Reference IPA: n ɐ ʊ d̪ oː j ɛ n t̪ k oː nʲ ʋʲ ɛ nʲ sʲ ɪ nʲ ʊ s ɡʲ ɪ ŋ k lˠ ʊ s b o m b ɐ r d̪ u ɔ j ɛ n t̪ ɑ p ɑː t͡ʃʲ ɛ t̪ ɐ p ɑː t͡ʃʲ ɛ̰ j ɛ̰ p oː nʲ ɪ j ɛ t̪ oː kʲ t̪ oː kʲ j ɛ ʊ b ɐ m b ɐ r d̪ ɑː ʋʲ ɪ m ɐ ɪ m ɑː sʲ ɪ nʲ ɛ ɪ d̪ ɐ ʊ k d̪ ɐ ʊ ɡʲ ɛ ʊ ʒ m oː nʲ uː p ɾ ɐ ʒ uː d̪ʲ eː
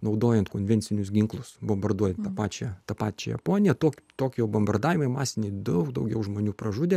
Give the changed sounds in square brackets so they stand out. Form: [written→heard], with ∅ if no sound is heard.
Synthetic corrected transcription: n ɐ ʊ d̪ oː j ɛ n t̪ k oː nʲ ʋʲ ɛ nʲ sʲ ɪ nʲ ʊ s ɡʲ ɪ ŋ k lˠ ʊ s b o m b ɐ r d̪ u ɔ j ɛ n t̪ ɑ p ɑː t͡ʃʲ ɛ t̪ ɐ p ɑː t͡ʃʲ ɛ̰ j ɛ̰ p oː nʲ ɪ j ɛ t̪ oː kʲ t̪ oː kʲ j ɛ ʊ b ɐ m b ɐ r d̪ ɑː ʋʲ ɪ m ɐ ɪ m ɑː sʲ ɪ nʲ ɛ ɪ d̪ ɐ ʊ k d̪ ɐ ʊ ɡʲ ɛ ʊ ʒ m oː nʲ uː p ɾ ɐ ʒ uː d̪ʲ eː